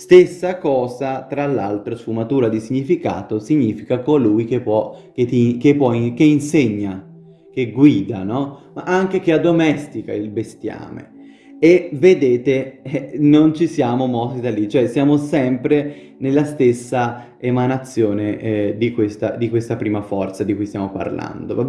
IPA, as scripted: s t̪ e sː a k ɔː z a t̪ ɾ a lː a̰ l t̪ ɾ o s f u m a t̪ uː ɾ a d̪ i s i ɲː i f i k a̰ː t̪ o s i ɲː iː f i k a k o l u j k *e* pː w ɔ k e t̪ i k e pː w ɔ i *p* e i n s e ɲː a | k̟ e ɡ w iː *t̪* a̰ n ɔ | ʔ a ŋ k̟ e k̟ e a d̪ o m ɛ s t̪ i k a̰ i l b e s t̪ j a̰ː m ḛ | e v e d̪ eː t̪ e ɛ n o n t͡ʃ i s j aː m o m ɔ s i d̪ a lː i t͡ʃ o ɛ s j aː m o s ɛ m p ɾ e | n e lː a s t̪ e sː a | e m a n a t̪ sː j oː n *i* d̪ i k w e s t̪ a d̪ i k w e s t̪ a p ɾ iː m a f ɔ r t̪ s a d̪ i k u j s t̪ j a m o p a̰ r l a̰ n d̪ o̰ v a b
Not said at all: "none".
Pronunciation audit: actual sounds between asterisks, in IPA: e, k, d̪, e

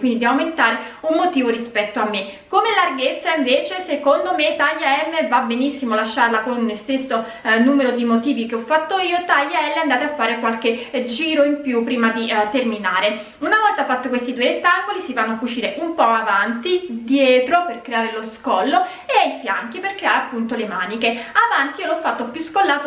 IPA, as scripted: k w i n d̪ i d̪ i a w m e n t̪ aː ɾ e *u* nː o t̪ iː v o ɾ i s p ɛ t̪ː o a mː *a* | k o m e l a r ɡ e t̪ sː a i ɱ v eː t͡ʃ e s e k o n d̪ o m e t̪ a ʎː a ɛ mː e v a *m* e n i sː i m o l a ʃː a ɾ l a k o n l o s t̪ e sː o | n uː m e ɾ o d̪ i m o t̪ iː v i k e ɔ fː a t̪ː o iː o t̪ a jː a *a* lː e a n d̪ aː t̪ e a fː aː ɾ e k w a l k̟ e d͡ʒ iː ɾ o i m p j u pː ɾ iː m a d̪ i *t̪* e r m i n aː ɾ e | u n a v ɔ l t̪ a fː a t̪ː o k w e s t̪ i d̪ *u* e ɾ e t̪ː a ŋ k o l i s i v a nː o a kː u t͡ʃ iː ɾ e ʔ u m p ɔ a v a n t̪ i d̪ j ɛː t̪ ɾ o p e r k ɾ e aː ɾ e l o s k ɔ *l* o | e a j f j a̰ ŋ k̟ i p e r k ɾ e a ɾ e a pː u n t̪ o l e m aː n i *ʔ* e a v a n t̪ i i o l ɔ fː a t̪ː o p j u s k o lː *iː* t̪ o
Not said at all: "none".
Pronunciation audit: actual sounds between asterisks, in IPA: u, e, b, ɛ, t̪, u, lː, k, aː

